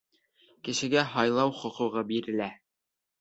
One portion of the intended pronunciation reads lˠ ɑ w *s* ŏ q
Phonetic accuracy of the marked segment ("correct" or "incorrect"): incorrect